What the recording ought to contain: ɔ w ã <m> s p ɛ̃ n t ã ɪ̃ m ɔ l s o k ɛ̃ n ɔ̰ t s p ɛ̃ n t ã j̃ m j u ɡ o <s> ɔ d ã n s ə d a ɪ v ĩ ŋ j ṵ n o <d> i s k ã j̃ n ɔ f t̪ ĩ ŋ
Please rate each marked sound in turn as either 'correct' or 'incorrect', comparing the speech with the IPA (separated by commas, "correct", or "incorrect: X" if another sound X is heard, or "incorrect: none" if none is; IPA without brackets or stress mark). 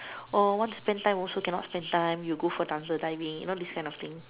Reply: incorrect: n, incorrect: f, correct